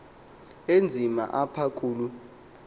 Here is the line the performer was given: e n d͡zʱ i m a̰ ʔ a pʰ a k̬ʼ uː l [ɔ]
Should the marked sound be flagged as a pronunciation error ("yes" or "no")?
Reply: yes